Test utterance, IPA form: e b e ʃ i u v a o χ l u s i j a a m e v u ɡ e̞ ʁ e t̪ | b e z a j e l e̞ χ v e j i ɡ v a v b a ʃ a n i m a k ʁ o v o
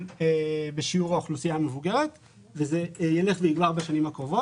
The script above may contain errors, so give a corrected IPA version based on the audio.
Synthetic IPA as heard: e b e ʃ i u ʁ a o χ l u s i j a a m e v u ɡ e̞ ʁ e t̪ | v e z e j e l e̞ χ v e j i ɡ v a ʁ b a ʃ a n i m a k ʁ o v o